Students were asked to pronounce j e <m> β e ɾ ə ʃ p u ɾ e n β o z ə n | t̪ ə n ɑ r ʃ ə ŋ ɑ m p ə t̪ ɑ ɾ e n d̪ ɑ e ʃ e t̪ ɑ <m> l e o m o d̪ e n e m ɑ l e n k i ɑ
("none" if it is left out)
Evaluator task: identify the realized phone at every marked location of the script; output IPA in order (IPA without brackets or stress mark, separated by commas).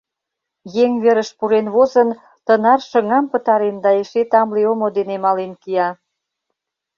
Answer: ŋ, m